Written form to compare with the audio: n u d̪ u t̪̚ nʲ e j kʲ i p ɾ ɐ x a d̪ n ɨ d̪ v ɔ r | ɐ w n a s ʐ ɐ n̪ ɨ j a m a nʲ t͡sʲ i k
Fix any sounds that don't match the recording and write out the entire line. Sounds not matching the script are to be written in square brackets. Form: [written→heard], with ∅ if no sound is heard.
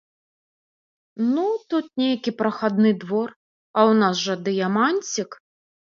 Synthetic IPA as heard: n u [d̪→t̪] u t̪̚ nʲ e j kʲ i p ɾ ɐ x a d̪ n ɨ d̪ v ɔ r | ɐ w n a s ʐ ɐ [n̪→d̪] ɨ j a m a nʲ t͡sʲ i k